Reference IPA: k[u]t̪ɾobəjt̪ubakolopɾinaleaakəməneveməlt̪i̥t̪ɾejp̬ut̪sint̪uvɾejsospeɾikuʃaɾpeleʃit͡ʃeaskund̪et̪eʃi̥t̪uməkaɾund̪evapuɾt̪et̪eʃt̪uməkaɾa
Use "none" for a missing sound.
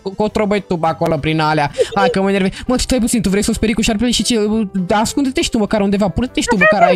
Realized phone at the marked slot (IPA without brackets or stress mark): o